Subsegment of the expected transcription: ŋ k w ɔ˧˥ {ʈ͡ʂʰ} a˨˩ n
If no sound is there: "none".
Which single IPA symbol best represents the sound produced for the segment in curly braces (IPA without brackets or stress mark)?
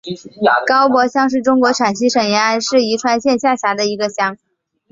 ʈ͡ʂʰ